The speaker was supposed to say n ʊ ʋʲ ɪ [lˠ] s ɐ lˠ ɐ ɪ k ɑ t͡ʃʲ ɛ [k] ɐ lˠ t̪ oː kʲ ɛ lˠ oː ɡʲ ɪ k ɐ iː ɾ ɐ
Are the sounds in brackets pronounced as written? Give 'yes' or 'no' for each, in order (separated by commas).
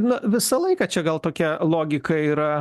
no, no